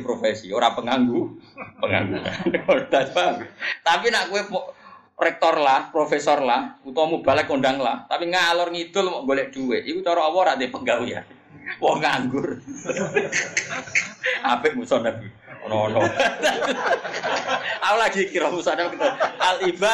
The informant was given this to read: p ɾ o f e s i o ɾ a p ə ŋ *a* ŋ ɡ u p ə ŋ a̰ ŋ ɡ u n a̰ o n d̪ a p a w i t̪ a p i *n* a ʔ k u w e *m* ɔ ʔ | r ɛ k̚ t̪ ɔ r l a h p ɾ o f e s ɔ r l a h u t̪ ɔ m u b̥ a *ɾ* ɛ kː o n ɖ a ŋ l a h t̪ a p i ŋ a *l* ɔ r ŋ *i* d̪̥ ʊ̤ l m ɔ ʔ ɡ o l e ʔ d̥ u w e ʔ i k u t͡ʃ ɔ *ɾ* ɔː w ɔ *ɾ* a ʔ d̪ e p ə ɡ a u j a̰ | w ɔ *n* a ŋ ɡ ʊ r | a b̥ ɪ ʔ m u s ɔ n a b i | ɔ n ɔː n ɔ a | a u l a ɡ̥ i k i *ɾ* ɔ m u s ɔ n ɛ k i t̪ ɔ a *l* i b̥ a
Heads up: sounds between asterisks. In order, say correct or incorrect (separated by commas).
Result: correct, correct, correct, incorrect, correct, correct, correct, correct, incorrect, correct, correct